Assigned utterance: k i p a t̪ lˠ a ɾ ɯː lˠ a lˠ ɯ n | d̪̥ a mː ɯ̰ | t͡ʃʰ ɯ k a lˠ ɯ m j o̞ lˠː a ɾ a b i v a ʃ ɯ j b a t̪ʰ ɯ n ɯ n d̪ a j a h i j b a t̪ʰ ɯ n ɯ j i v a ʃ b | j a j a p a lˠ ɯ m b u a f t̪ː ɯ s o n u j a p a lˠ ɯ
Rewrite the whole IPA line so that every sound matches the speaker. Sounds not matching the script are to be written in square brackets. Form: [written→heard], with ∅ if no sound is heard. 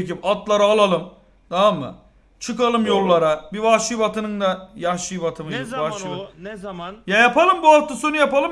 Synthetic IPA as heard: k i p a t̪ lˠ a ɾ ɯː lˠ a lˠ ɯ [n→m] | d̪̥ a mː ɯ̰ | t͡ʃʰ ɯ k a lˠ ɯ m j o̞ lˠː a ɾ a b i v a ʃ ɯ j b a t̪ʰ ɯ n ɯ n d̪ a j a [h→ʃ] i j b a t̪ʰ ɯ [n→m] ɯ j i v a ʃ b | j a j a p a lˠ ɯ m b u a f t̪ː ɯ s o n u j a p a lˠ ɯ

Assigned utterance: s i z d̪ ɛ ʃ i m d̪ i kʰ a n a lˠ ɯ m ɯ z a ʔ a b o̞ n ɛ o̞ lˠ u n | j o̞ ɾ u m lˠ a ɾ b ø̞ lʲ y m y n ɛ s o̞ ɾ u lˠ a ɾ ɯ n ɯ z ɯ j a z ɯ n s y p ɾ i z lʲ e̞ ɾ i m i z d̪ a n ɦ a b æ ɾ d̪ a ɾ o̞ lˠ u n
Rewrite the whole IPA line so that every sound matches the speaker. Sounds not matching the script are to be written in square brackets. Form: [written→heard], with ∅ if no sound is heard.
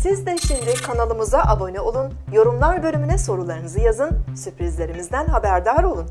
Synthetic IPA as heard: s i z d̪ ɛ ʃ i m d̪ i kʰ a n a lˠ ɯ m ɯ z a ʔ a b o̞ n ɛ o̞ lˠ u n | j o̞ ɾ u m lˠ a ɾ b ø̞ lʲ y m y n ɛ s o̞ ɾ u lˠ a ɾ ɯ n ɯ z ɯ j a z ɯ n s y p ɾ i z lʲ e̞ ɾ i m i z d̪ [a→æ] n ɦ a b æ ɾ d̪ a ɾ o̞ lˠ u n

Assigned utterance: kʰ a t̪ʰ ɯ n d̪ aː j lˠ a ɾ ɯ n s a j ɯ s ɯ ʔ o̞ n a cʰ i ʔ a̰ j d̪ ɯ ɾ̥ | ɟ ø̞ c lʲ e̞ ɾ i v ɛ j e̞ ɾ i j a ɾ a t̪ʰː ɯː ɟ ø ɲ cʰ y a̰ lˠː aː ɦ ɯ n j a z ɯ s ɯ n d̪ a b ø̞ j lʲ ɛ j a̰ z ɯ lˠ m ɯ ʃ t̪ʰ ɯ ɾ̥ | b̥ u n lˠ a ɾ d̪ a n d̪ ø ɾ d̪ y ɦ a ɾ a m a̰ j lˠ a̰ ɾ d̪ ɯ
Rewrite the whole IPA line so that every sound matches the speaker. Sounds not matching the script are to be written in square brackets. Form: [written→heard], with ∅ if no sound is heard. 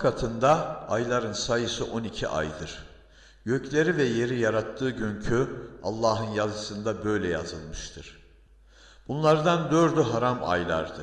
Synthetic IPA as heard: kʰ a t̪ʰ ɯ n d̪ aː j lˠ a ɾ ɯ n s a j ɯ s ɯ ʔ o̞ n [a→i] cʰ i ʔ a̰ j d̪ ɯ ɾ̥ | ɟ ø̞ c lʲ e̞ ɾ i v ɛ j e̞ ɾ i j a ɾ a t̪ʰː ɯː ɟ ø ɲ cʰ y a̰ lˠː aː ɦ ɯ n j a z ɯ s ɯ n d̪ a b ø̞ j lʲ ɛ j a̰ z ɯ lˠ m ɯ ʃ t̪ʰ ɯ ɾ̥ | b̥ u n lˠ a ɾ d̪ a n d̪ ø ɾ d̪ y ɦ a ɾ a m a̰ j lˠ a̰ ɾ d̪ ɯ

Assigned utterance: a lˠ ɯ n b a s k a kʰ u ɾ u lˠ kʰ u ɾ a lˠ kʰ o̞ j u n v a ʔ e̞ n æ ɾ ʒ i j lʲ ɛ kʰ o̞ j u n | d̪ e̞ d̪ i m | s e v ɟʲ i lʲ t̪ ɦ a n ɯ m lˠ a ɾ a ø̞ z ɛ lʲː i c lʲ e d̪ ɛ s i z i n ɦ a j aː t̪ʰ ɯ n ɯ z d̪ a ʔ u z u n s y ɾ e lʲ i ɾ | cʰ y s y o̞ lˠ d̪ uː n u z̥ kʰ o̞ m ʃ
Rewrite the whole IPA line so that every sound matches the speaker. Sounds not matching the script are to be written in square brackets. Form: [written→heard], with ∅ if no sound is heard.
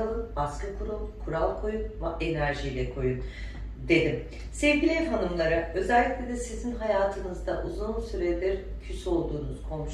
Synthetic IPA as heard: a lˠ ɯ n b a s k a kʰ u ɾ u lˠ kʰ u ɾ a lˠ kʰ o̞ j u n v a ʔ e̞ n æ ɾ ʒ i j lʲ ɛ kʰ o̞ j u n | d̪ e̞ d̪ i m | s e v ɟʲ i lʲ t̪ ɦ a n ɯ m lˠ a ɾ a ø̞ z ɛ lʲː i c lʲ e d̪ ɛ s i z i n ɦ a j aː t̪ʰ ɯ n ɯ z d̪ a ʔ u z u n s y ɾ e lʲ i ɾ | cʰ y s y o̞ lˠ d̪ uː n u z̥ kʰ o̞ m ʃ

